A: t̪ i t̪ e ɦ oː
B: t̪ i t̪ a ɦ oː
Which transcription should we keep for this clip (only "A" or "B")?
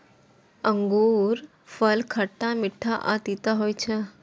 B